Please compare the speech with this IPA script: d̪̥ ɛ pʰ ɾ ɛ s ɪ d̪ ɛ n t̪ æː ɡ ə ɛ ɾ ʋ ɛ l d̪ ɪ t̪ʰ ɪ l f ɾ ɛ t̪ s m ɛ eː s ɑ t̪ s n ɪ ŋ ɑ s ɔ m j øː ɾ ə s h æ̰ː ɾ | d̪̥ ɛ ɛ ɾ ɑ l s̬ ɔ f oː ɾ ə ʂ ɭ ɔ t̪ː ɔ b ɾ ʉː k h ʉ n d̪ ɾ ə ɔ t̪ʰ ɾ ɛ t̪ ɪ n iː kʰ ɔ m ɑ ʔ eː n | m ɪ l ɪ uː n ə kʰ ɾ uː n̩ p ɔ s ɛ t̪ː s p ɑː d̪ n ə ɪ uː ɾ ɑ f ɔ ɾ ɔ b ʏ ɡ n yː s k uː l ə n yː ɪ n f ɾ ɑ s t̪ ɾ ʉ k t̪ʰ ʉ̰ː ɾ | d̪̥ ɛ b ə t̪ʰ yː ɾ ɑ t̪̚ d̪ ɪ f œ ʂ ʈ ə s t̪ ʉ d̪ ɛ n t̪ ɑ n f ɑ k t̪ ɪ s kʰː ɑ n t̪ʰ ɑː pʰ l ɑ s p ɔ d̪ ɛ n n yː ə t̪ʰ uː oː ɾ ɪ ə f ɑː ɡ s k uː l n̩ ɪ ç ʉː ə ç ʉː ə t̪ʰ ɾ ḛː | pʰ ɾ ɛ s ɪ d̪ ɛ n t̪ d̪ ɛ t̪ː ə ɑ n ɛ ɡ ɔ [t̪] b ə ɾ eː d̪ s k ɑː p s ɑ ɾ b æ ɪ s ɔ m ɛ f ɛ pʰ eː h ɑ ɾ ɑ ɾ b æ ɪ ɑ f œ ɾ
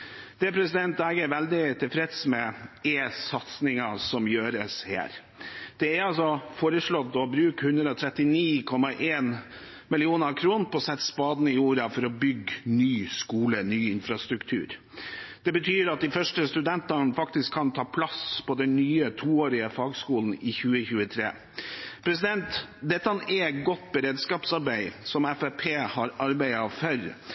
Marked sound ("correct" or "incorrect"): correct